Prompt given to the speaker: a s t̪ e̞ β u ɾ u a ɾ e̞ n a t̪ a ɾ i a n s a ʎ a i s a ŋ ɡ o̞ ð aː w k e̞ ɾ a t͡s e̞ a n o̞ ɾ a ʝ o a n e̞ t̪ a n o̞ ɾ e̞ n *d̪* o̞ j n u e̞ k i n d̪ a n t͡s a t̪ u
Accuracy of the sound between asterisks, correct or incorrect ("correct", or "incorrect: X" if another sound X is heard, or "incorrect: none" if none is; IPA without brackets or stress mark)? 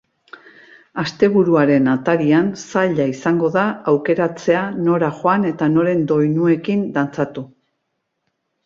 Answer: correct